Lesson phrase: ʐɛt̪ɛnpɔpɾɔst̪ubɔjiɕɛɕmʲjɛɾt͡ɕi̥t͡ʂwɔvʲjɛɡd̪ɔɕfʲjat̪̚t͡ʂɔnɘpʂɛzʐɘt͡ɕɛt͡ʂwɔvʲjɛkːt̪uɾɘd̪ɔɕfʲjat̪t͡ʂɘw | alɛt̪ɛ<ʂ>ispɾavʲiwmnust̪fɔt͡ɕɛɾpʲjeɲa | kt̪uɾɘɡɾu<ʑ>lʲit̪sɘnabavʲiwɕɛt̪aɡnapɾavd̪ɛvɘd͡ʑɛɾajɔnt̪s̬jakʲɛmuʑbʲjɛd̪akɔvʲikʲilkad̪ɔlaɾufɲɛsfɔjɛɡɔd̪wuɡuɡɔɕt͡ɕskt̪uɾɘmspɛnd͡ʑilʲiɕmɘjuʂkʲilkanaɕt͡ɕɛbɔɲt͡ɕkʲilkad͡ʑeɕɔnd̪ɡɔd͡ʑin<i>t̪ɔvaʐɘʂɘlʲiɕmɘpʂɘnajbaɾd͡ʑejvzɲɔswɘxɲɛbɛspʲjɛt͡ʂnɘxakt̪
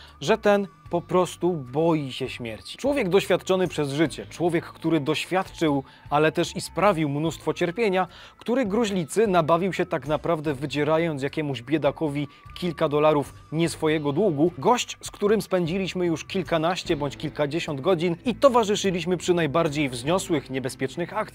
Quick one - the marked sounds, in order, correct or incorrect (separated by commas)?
correct, correct, correct